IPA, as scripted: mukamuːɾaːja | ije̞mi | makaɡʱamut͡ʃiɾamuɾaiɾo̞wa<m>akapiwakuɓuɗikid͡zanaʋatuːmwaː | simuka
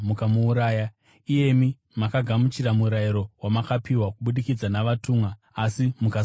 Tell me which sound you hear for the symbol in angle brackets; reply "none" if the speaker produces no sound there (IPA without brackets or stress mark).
m